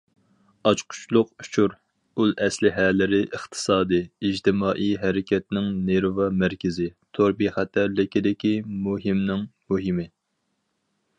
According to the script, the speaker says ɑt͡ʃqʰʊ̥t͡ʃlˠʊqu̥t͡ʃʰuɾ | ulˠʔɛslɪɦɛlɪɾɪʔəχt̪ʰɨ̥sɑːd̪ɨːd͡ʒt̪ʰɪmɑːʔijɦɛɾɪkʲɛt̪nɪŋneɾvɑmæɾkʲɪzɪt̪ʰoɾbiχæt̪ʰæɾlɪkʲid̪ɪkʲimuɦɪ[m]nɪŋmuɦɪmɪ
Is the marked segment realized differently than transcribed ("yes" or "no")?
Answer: no